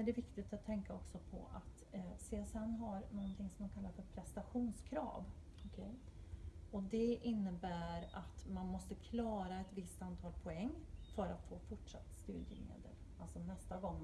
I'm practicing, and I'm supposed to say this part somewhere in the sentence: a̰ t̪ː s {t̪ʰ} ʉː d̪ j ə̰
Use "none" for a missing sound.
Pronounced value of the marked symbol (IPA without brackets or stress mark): t̪